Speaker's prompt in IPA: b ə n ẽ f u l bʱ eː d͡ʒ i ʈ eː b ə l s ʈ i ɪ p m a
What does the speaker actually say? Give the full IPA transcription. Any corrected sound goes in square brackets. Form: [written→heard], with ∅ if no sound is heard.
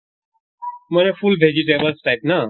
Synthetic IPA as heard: [b→m] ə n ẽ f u l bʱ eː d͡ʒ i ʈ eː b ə l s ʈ [i→a] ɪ p [m→n] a

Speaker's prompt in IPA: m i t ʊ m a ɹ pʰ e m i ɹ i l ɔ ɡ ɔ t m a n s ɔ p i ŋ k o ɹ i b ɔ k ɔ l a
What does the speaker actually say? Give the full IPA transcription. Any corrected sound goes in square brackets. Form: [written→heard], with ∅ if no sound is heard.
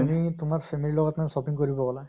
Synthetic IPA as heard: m i t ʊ m a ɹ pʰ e m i [ɹ→l] i l ɔ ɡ ɔ t m a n s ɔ p i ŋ k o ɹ i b ɔ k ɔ l a

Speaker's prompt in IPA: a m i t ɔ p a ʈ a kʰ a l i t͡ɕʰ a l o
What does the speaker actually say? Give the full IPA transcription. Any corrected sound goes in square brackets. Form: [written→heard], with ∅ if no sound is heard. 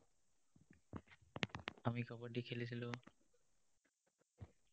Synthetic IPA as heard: a m i [t→k] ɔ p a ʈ [a→i] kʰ [a→e] l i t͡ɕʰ [a→i] l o

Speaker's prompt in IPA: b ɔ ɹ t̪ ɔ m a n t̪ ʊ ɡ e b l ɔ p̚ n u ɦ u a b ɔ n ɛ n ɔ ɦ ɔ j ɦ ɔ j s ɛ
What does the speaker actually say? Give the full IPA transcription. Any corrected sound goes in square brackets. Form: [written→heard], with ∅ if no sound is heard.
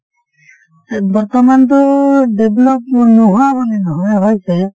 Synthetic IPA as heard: b ɔ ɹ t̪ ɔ m a n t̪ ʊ [ɡ→d] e b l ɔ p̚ n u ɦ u a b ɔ n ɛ n ɔ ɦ ɔ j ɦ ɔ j s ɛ

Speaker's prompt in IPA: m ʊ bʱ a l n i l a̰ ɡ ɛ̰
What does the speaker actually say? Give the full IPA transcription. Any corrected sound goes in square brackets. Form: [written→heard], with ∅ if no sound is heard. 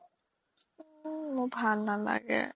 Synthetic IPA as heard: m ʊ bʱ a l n [i→a] l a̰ ɡ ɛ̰

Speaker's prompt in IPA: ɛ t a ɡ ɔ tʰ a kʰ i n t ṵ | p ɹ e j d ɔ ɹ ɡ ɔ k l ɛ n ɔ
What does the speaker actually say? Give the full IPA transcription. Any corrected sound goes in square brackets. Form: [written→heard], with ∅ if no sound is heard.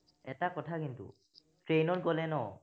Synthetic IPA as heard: ɛ t a [ɡ→k] ɔ tʰ a [kʰ→k] i n t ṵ | [p→t] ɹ e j [d→n] ɔ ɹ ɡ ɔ [k→∅] l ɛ n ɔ

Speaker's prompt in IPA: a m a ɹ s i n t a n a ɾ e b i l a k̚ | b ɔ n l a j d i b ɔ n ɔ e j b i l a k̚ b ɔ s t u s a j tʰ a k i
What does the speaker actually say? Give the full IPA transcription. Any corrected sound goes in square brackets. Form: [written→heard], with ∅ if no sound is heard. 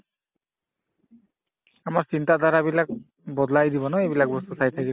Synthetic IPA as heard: a m a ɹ s i n t a [n→d] a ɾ [e→a] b i l a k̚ | b ɔ [n→d] l a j d i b ɔ n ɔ e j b i l a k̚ b ɔ s t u s a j tʰ a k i

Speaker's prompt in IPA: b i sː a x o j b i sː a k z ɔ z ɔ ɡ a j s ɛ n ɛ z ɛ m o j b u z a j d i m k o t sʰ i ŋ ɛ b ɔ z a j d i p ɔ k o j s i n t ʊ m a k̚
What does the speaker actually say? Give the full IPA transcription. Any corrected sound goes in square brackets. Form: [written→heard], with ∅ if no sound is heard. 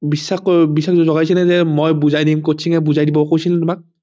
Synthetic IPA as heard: b i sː a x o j b i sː a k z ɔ z ɔ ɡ a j s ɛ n ɛ z ɛ m o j b u z a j d i m k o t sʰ i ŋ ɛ b [ɔ→u] z a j d i [p→b] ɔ k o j s i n t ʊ m a k̚

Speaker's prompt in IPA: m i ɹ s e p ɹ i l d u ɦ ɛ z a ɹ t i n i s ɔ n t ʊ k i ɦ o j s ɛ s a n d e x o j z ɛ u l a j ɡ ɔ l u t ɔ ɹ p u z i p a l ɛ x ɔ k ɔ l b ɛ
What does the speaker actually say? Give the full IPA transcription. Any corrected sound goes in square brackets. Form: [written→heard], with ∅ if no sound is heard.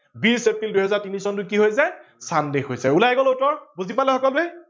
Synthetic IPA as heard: [m→b] i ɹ s e p ɹ i l d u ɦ ɛ z a ɹ t i n i s ɔ n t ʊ k i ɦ o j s ɛ s a n d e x o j [z→s] ɛ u l a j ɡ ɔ l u t ɔ ɹ [p→b] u z i p a l ɛ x ɔ k ɔ l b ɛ

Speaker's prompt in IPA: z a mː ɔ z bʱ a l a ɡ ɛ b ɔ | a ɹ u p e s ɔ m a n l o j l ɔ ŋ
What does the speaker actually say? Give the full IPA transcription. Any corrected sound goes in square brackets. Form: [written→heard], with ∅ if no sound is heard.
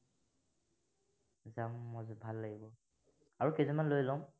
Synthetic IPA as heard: z a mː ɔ z bʱ a [l→lː] a ɡ [ɛ→i] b ɔ | a ɹ u [p→k] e [s→z] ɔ m a n l o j l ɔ [ŋ→m]

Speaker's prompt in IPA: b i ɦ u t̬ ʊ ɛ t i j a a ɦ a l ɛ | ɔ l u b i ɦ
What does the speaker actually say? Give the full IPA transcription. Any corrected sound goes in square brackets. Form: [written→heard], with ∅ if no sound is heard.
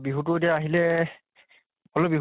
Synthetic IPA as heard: b i ɦ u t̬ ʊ [ɛ→e] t i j a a ɦ [a→i] l ɛ | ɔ l [u→ɔ] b i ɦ

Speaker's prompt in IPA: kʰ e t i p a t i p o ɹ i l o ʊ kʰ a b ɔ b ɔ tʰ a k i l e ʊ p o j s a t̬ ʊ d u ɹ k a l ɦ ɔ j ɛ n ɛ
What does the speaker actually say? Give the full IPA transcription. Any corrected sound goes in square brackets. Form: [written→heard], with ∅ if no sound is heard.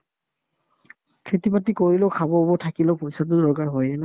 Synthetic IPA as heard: kʰ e t i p a t i [p→k] o ɹ i l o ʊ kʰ a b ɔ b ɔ tʰ a k i l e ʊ p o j s a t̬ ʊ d [u→ɔ] ɹ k a [l→ɹ] ɦ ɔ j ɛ n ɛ

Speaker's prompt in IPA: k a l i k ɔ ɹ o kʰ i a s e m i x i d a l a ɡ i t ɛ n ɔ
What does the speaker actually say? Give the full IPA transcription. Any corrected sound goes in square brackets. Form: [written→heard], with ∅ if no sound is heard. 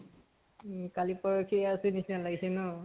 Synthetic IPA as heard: k a l i [k→p] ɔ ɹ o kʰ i a s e [m→n] i [x→s] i [d→n] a l a ɡ i [t→s] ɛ n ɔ

